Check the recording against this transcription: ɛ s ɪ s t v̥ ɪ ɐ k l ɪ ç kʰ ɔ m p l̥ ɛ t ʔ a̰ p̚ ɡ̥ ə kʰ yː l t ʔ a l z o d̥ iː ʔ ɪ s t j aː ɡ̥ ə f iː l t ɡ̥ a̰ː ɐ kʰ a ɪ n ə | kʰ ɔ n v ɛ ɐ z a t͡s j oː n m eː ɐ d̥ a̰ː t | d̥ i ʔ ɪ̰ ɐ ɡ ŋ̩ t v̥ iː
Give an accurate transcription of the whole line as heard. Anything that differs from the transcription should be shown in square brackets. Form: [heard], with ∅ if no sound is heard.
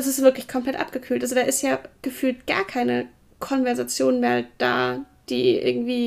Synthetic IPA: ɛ s ɪ s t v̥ ɪ ɐ k l ɪ ç kʰ ɔ m p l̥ ɛ t ʔ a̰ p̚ ɡ̥ ə kʰ yː l t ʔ a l z o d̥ [aː] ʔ ɪ s t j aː ɡ̥ ə f [yː] l t ɡ̥ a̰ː ɐ kʰ a ɪ n ə | kʰ ɔ n v ɛ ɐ z a t͡s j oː n m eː ɐ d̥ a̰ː [∅] | d̥ [iː] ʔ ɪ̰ ɐ ɡ ŋ̩ t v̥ iː